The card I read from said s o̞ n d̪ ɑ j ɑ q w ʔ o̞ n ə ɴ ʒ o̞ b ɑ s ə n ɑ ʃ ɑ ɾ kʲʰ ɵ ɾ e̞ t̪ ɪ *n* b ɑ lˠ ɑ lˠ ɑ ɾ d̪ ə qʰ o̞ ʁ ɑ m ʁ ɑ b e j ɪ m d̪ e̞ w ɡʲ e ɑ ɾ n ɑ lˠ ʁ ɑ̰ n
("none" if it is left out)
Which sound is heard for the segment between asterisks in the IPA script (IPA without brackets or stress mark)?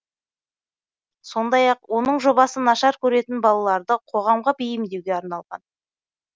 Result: n